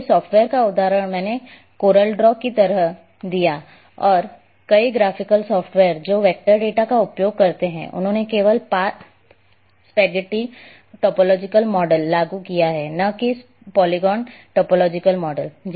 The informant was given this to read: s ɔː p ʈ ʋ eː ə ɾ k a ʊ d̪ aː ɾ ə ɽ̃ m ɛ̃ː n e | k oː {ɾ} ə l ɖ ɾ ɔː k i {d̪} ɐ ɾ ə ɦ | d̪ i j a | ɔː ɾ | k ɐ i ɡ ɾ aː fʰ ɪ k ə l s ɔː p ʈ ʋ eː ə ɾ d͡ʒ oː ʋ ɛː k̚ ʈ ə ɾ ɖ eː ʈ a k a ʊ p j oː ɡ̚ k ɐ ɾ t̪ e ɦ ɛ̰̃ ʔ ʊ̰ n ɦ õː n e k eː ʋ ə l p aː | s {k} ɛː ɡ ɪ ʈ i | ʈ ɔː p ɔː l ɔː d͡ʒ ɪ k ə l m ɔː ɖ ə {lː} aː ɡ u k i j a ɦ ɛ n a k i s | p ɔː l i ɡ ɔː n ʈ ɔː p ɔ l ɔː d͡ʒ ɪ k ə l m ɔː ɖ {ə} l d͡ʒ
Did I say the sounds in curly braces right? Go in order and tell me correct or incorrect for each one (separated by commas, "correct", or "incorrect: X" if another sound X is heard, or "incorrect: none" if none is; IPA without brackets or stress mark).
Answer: correct, incorrect: t̪, incorrect: p, correct, correct